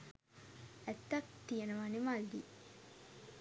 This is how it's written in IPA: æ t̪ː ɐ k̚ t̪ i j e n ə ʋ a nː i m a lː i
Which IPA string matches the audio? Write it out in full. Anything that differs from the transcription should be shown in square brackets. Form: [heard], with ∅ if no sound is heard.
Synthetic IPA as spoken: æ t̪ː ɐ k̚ t̪ i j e n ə ʋ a [n] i m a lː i